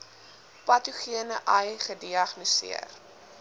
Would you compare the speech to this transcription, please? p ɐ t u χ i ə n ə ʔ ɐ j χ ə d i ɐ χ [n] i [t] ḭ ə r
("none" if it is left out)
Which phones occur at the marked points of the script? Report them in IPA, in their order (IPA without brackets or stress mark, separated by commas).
n, s